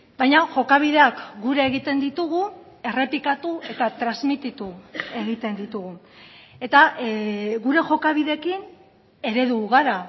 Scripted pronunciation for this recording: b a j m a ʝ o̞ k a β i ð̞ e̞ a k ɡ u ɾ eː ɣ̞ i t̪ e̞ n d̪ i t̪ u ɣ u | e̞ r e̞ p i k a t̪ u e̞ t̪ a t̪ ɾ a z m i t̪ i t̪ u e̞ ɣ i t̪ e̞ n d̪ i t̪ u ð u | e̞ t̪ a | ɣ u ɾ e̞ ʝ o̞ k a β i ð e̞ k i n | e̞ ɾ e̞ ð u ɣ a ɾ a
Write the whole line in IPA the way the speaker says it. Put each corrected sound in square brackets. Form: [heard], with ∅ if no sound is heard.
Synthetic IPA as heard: b a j [ɲ] a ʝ o̞ k a β i ð̞ e̞ a k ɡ u ɾ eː ɣ̞ i t̪ e̞ n d̪ i t̪ u ɣ u | e̞ r e̞ p i k a t̪ u e̞ t̪ a t̪ ɾ a z m i t̪ i t̪ u e̞ ɣ i t̪ e̞ n d̪ i t̪ u [ɣ] u | e̞ t̪ a | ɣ u ɾ e̞ ʝ o̞ k a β i ð e̞ k i n | e̞ ɾ e̞ ð u ɣ a ɾ a

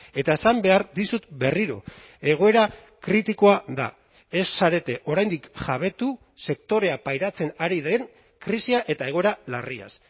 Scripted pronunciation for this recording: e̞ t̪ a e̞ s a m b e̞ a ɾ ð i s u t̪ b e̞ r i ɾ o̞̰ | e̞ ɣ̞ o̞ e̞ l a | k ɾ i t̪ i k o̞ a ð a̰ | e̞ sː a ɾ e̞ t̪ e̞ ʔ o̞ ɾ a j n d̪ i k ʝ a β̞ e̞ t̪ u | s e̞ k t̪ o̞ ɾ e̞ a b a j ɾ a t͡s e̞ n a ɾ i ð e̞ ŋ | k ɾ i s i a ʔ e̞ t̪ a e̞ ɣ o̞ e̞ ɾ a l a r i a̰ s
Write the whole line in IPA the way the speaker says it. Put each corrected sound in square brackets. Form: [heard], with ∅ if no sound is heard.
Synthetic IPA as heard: e̞ t̪ a e̞ s a m b e̞ a ɾ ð i s u t̪ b e̞ r i ɾ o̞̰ | e̞ ɣ̞ o̞ e̞ [ɾ] a | k ɾ i t̪ i k o̞ a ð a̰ | e̞ sː a ɾ e̞ t̪ e̞ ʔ o̞ ɾ a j n d̪ i k ʝ a β̞ e̞ t̪ u | s e̞ k t̪ o̞ ɾ e̞ a [p] a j ɾ a t͡s e̞ n a ɾ i ð e̞ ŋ | k ɾ i s i a ʔ e̞ t̪ a e̞ ɣ o̞ e̞ ɾ a l a r i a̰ s

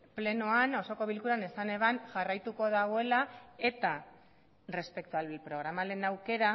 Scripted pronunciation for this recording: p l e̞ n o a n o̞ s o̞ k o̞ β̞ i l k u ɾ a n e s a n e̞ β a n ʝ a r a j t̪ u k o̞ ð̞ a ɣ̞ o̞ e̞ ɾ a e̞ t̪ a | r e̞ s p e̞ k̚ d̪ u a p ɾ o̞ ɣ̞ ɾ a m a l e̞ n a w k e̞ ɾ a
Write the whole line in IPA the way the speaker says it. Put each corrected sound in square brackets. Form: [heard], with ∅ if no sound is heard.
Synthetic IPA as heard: p l e̞ n o a n o̞ s o̞ k o̞ β̞ i l k u ɾ a n e s a n e̞ β a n ʝ a r a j t̪ u k o̞ ð̞ a ɣ̞ o̞ e̞ [l] a e̞ t̪ a | r e̞ s p e̞ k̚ [t̪] u a p ɾ o̞ ɣ̞ ɾ a m a l e̞ n a w k e̞ ɾ a

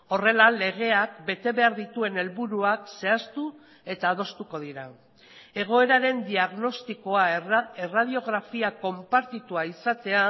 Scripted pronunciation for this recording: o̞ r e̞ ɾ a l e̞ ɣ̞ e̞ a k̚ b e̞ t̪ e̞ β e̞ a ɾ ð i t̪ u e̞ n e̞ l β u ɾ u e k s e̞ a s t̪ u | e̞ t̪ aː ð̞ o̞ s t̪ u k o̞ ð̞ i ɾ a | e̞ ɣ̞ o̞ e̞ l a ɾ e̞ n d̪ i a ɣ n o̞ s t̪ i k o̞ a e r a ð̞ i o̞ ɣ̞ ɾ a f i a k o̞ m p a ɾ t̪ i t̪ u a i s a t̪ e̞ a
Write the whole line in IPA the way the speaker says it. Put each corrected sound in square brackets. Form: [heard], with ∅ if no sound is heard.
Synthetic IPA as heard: o̞ r e̞ [l] a l e̞ ɣ̞ e̞ a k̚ b e̞ t̪ e̞ β e̞ a ɾ ð i t̪ u e̞ n e̞ l β u ɾ u [a] k s e̞ a s t̪ u | e̞ t̪ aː ð̞ o̞ s t̪ u k o̞ ð̞ i ɾ a | e̞ ɣ̞ o̞ e̞ [ɾ] a ɾ e̞ n d̪ i a ɣ n o̞ s t̪ i k o̞ a e r a ð̞ i o̞ ɣ̞ ɾ a f i a k o̞ m p a ɾ t̪ i t̪ u a i s a t̪ e̞ a

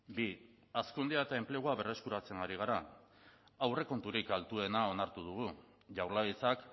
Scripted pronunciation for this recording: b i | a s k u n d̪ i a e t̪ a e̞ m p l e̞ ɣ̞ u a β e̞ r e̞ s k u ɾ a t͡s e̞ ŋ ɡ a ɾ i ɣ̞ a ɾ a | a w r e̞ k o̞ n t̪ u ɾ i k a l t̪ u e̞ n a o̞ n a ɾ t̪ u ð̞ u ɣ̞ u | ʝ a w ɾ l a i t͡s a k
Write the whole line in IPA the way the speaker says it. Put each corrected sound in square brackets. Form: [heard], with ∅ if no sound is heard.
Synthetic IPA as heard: b i | a s k u n d̪ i a e t̪ a e̞ m p l e̞ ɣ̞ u a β e̞ r e̞ s k u ɾ a t͡s e̞ ŋ ɡ a ɾ i ɣ̞ a ɾ a | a w r e̞ k o̞ n t̪ u ɾ i k a l t̪ u e̞ n a o̞ n a ɾ t̪ u ð̞ u ɣ̞ u | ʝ a w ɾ l a i t͡s a k

